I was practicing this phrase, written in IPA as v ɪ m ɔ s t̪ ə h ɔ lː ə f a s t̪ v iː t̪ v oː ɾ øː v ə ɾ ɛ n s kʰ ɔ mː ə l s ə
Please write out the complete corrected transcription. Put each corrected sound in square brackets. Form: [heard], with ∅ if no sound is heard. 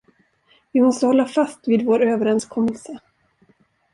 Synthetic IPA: v ɪ m ɔ s t̪ ə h ɔ lː [a] f a s t̪ v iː [d̪] v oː ɾ øː v ə ɾ ɛ n s kʰ ɔ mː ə l s ə